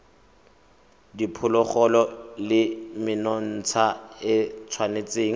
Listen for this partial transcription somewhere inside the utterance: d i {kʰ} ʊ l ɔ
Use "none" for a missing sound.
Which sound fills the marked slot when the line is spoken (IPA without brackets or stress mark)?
pʰ